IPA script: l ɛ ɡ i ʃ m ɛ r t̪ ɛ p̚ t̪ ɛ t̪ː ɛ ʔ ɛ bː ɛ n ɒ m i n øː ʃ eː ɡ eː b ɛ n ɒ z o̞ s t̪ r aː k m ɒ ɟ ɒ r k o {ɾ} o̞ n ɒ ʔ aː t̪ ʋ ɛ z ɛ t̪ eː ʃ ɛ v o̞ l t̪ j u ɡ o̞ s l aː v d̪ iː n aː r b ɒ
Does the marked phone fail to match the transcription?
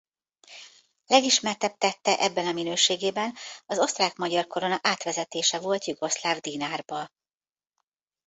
no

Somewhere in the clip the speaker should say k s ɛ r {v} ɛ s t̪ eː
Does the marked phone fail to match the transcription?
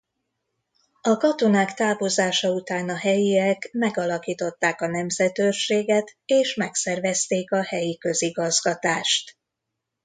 no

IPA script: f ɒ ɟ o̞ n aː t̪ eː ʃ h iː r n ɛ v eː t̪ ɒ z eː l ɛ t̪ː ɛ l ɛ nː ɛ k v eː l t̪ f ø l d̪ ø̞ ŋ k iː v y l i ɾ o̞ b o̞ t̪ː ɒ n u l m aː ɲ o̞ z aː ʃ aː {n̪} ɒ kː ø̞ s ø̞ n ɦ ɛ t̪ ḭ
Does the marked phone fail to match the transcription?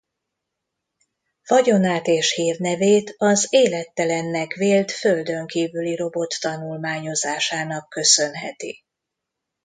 no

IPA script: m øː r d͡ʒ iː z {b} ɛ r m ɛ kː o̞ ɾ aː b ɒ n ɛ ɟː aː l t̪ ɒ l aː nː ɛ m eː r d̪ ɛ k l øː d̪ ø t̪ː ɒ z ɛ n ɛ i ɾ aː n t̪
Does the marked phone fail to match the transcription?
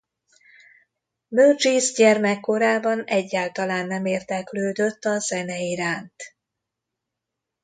yes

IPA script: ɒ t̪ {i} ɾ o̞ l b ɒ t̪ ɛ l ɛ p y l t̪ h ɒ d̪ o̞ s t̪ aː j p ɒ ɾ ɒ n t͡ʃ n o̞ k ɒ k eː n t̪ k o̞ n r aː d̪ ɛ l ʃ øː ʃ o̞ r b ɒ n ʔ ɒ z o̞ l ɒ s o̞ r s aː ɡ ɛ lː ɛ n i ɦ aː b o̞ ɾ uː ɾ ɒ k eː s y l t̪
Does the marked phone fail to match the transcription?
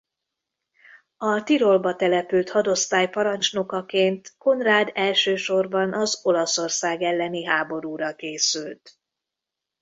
no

